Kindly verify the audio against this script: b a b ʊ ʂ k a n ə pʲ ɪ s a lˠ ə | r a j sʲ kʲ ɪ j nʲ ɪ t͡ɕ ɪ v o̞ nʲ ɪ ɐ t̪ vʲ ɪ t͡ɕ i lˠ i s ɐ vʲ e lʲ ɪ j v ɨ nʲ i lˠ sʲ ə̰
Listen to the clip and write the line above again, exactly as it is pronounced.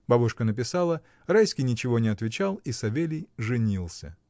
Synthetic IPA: b a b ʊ ʂ k ə n ə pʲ ɪ s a lˠ ə | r a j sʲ kʲ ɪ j nʲ ɪ t͡ɕ ɪ v o̞ nʲ ɪ ɐ t̪ vʲ ɪ t͡ɕ a lˠ i s ɐ vʲ e lʲ ɪ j ʐ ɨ nʲ i lˠ sʲ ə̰